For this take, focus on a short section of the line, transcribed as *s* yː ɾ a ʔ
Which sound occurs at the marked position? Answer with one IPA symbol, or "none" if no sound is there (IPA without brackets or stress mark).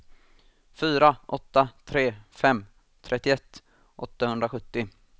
f